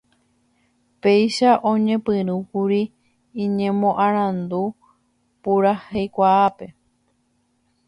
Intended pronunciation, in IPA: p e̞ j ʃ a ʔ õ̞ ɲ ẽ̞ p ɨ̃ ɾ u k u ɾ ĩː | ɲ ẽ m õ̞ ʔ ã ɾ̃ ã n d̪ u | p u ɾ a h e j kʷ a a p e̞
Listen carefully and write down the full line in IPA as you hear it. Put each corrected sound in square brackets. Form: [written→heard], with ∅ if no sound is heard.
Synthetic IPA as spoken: p e̞ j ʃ a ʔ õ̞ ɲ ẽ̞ p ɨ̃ ɾ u k u ɾ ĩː | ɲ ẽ m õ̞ ʔ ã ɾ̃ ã n d̪ u | p u ɾ a h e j kʷ a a p e̞